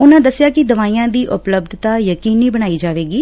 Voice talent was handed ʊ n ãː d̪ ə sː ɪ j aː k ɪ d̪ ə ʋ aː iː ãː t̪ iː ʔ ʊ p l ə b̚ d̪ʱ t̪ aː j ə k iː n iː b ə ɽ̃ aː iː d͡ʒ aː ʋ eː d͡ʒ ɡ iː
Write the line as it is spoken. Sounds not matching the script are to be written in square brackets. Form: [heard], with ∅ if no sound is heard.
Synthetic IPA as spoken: ʊ n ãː d̪ ə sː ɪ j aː k ɪ d̪ ə ʋ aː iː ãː [d̪] iː ʔ ʊ p l ə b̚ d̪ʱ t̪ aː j ə k iː n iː b ə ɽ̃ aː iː d͡ʒ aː ʋ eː [∅] ɡ iː